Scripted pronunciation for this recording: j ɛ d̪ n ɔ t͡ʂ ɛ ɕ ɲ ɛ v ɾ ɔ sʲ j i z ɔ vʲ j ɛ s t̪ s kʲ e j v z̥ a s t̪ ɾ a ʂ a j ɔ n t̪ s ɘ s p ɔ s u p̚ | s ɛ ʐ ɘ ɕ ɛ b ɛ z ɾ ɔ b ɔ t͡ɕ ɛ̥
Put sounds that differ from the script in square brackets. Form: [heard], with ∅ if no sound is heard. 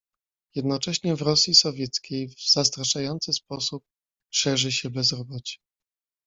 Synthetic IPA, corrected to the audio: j ɛ d̪ n ɔ t͡ʂ ɛ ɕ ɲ ɛ v ɾ ɔ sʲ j i [s] ɔ vʲ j ɛ [∅] t̪ s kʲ e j v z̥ a s t̪ ɾ a ʂ a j ɔ n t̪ s ɘ s p ɔ s u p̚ | [ʂ] ɛ ʐ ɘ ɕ ɛ b ɛ z ɾ ɔ b ɔ t͡ɕ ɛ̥